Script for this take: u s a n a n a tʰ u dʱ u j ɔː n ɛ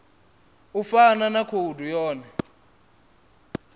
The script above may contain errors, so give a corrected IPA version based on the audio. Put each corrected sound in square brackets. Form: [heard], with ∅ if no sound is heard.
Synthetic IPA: u [f] a n a n a [kʰ] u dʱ u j ɔː n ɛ